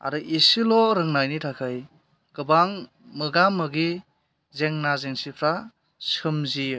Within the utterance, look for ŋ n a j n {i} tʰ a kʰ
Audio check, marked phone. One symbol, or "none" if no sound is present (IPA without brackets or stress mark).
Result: i